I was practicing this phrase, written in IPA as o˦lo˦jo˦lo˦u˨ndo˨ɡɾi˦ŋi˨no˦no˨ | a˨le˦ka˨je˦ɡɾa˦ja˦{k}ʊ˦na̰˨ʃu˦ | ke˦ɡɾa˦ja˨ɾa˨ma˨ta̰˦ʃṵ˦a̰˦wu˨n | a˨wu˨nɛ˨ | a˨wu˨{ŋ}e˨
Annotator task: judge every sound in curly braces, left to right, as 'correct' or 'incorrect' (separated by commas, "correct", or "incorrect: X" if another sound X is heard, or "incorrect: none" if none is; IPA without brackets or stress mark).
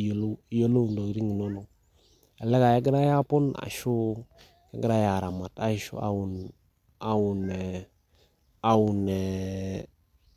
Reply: incorrect: p, incorrect: n